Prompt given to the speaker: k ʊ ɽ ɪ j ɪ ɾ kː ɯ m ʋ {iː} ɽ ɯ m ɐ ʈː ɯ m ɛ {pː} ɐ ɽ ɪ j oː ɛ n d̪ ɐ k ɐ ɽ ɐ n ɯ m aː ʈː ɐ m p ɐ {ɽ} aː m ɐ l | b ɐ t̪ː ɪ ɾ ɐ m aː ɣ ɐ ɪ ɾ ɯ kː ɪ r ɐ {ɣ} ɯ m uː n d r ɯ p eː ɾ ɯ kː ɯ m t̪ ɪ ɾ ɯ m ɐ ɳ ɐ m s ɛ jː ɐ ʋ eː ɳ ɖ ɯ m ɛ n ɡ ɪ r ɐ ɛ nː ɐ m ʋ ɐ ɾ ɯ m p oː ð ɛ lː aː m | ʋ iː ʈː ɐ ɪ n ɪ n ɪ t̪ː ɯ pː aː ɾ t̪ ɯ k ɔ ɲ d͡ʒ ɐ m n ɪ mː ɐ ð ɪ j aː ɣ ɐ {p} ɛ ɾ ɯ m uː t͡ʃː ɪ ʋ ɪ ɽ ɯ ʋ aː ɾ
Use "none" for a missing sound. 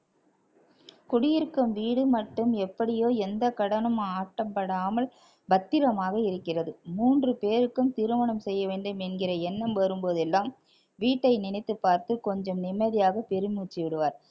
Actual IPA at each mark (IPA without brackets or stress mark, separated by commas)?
iː, pː, ɽ, ð, p